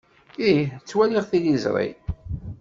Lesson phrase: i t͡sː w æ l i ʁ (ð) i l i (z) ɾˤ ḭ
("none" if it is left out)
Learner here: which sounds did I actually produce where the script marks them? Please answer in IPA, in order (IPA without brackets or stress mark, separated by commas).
θ, z